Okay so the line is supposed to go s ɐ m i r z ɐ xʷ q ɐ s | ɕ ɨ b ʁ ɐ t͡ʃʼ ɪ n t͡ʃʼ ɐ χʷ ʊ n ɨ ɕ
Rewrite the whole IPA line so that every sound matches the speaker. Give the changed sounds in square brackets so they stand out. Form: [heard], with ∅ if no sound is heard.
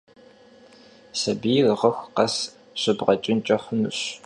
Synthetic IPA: s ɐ [b] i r [ʁ] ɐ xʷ q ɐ s | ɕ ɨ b ʁ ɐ t͡ʃʼ ɪ n t͡ʃʼ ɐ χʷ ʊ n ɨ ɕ